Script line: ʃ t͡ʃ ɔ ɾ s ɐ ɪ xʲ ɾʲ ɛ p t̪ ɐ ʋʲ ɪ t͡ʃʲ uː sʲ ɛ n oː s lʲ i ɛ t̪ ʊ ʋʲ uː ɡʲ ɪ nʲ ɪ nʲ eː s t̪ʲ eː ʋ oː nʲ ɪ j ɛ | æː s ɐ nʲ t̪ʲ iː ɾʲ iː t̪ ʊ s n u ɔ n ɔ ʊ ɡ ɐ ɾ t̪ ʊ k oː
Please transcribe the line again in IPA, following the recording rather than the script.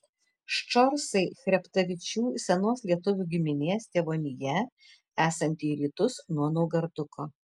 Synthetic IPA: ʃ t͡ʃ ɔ ɾ s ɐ ɪ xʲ ɾʲ ɛ p t̪ ɐ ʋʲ ɪ t͡ʃʲ uː sʲ ɛ n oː s lʲ i ɛ t̪ ʊ ʋʲ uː ɡʲ ɪ mʲ ɪ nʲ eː s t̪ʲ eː ʋ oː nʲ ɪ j ɛ | æː s ɐ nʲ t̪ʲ iː ɾʲ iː t̪ ʊ s n u ɔ n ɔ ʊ ɡ ɐ ɾ d̪ ʊ k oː